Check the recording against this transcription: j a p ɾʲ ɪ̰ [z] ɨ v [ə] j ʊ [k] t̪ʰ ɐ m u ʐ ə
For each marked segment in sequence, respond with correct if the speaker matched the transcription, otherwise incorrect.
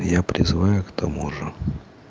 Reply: correct, incorrect, correct

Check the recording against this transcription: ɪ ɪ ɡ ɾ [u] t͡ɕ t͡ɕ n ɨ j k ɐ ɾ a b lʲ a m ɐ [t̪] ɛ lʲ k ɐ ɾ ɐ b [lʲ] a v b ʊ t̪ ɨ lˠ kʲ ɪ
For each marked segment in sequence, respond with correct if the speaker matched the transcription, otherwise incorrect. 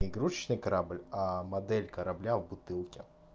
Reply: correct, incorrect, correct

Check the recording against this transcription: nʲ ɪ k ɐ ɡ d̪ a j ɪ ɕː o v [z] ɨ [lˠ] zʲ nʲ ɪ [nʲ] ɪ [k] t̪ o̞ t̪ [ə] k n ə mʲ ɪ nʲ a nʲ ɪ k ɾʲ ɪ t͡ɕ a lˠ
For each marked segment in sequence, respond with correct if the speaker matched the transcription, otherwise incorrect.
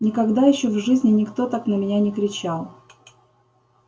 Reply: incorrect, incorrect, correct, correct, incorrect

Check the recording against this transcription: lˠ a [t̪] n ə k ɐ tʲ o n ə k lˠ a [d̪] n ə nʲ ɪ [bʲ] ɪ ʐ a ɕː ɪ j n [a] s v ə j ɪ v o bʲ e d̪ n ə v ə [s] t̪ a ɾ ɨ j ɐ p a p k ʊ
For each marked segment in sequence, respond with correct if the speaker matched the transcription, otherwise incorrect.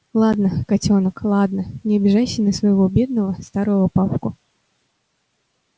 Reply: incorrect, correct, correct, incorrect, correct

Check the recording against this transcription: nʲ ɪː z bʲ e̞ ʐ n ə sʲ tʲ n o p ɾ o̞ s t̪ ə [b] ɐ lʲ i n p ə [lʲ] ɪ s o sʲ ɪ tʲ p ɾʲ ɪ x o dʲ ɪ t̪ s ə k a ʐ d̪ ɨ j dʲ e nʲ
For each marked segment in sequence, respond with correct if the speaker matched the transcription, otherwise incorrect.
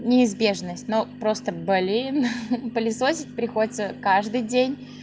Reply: correct, correct

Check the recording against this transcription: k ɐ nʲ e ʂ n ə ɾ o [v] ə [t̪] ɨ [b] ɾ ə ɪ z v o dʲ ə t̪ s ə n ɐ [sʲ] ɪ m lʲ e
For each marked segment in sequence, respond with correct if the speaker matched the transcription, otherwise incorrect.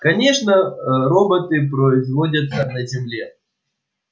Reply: incorrect, correct, incorrect, incorrect

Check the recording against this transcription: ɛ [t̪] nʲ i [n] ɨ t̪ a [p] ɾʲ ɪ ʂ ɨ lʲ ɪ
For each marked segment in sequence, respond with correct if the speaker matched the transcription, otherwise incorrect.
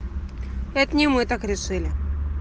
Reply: correct, incorrect, incorrect

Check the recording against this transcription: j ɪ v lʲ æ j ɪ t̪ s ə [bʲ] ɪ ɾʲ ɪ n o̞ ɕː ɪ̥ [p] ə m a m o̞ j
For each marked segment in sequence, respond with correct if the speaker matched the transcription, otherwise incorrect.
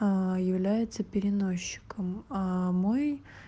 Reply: incorrect, incorrect

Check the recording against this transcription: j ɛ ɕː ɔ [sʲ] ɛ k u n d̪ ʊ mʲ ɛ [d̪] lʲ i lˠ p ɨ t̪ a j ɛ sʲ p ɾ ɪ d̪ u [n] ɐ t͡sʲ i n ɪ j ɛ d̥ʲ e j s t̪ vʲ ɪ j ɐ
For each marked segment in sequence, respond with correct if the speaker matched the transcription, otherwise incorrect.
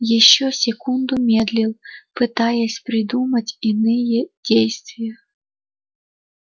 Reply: correct, correct, incorrect

